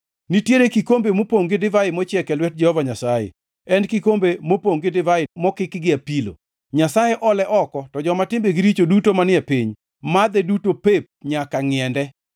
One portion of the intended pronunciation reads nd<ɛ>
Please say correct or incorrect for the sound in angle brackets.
correct